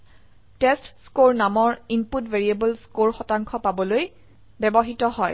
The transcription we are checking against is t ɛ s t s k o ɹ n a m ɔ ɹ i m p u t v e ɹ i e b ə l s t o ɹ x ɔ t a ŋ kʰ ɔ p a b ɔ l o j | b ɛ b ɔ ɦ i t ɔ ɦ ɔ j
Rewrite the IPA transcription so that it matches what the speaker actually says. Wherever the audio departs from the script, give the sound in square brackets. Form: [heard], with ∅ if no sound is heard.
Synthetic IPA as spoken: t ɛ s t s k o ɹ n a m ɔ ɹ i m p u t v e ɹ i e b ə l s [k] o ɹ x ɔ t a ŋ kʰ ɔ p a b ɔ l o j | b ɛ b ɔ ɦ i t ɔ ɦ ɔ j